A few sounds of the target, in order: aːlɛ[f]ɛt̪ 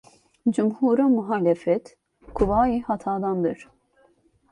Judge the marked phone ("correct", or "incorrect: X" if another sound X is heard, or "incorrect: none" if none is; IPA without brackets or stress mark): correct